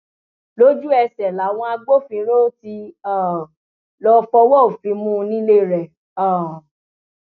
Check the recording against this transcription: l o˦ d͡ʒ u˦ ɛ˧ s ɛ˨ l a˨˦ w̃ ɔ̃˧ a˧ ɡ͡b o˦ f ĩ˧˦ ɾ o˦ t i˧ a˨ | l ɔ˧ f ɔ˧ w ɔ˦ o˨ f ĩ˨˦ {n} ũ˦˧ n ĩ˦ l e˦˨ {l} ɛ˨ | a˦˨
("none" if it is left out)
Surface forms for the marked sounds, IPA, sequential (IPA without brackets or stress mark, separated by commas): m, ɾ